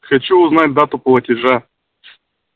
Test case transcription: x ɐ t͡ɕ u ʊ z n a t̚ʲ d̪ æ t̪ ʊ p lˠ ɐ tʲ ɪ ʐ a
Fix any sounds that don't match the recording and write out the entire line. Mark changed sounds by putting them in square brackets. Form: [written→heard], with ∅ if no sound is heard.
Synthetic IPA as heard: x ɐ t͡ɕ u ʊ z n a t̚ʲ d̪ [æ→a] t̪ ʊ p lˠ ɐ tʲ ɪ ʐ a